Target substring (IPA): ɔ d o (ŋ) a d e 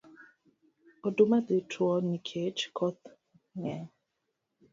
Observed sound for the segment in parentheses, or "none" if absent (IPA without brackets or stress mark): m